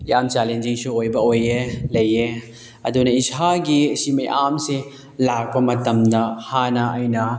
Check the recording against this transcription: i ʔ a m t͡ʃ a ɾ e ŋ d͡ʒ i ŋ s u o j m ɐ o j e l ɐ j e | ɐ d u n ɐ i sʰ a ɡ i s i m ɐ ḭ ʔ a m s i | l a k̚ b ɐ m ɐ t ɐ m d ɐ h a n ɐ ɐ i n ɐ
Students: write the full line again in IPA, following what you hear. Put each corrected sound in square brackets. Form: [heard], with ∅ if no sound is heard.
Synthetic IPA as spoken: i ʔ a m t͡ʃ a [l] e [n] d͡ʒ i ŋ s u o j [b] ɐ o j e l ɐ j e | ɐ d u n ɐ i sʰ a ɡ i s i m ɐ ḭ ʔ a m s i | l a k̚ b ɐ m ɐ t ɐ m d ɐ h a n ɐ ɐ [j] n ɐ